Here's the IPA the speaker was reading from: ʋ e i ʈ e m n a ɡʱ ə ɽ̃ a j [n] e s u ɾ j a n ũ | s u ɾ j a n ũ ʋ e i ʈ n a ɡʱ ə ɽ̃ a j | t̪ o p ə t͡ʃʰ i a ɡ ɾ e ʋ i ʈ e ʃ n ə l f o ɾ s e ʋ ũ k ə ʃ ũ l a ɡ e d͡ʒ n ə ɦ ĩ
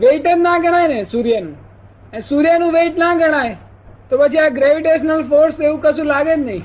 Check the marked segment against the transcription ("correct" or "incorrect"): correct